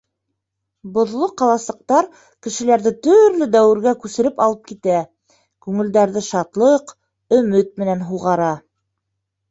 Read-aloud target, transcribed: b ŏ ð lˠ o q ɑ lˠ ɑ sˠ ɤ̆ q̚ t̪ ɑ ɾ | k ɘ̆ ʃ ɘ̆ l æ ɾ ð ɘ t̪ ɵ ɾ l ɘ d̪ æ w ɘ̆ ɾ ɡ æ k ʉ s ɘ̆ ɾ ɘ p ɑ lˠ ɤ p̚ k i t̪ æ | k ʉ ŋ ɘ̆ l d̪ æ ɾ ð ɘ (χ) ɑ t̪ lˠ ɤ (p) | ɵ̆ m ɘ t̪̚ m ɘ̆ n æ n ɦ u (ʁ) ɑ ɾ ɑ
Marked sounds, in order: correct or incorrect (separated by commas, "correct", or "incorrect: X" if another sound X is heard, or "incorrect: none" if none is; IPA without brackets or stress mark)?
incorrect: ʃ, incorrect: q, correct